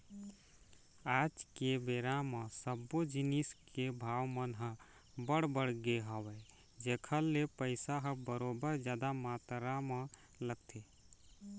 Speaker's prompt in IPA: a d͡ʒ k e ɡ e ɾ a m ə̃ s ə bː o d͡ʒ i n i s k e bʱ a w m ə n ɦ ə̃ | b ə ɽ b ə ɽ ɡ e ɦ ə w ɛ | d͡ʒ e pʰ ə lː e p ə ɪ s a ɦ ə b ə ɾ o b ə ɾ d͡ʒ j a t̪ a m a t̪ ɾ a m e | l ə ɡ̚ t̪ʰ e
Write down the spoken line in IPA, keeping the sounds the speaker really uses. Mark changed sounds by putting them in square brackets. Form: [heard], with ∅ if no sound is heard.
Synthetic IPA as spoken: a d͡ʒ k e [b] e ɾ a m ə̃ s ə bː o d͡ʒ i n i s k e bʱ a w m ə n ɦ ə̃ | b ə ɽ b ə ɽ ɡ e ɦ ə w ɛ | d͡ʒ e [kʰ] ə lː e p ə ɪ s a ɦ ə b ə ɾ o b ə ɾ d͡ʒ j a [d̪] a m a t̪ ɾ a m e | l ə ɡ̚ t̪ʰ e